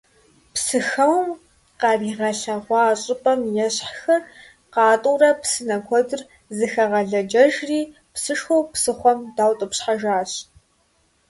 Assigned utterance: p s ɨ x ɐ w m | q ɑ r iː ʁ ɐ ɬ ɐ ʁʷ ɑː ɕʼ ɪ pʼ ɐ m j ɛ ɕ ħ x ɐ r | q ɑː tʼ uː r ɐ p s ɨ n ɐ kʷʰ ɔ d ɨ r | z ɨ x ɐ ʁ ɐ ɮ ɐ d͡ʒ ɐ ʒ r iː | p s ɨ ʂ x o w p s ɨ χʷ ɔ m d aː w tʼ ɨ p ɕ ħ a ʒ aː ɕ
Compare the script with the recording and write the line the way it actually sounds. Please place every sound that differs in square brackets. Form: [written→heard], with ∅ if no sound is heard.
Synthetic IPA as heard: p s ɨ x ɐ w m | q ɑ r iː ʁ ɐ ɬ ɐ ʁʷ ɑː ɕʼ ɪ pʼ ɐ m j ɛ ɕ ħ x ɐ r | q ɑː tʼ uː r ɐ p s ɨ n ɐ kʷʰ ɔ d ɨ r | z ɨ x ɐ ʁ ɐ ɮ ɐ d͡ʒ ɐ ʒ r iː | p s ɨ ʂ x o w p s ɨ χʷ ɔ m d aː w tʼ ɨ p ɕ ħ a ʒ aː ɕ